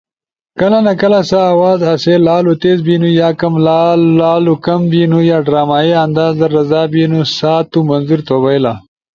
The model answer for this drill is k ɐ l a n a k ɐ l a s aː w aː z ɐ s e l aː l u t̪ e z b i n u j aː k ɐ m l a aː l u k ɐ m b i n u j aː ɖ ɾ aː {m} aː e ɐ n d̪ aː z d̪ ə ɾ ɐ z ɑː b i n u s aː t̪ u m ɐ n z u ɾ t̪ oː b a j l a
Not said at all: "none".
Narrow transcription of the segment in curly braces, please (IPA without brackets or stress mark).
m